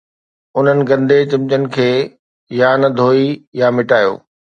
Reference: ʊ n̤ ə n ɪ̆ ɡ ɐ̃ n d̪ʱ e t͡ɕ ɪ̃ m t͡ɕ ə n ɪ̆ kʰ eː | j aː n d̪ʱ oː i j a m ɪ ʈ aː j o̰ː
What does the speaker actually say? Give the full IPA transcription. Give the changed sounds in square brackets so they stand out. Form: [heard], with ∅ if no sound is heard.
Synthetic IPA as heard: ʊ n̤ ə n ɪ̆ ɡ ɐ̃ n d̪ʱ e t͡ɕ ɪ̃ m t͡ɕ ə n ɪ̆ kʰ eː | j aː n d̪ʱ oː i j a m ɪ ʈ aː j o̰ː